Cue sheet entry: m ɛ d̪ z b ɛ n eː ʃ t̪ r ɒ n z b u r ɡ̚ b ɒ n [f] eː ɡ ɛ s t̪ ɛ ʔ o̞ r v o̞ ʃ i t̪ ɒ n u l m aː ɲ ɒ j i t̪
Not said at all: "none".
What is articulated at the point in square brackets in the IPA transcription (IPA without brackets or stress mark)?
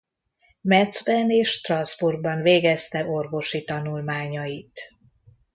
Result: v